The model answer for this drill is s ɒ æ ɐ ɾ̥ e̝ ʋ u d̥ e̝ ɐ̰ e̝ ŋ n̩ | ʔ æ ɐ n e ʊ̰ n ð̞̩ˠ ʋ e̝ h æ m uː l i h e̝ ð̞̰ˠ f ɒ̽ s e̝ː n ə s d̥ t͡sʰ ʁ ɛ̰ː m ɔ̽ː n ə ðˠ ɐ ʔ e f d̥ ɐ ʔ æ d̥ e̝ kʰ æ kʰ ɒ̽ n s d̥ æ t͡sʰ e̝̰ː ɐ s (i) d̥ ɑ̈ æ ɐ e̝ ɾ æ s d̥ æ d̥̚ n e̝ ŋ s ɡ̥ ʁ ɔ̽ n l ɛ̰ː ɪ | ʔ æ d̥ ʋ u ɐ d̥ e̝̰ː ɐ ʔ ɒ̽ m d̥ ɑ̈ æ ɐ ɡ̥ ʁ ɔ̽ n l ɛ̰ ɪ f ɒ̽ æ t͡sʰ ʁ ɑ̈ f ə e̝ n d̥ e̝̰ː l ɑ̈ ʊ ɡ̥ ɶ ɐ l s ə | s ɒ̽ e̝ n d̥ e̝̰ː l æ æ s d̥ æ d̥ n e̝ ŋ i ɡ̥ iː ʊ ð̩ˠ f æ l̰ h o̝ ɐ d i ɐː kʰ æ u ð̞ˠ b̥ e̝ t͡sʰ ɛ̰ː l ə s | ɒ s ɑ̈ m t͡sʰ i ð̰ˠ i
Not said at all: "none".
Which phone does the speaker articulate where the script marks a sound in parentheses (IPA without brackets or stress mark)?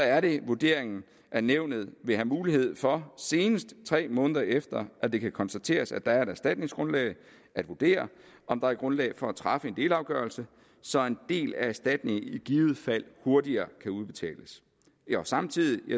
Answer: æ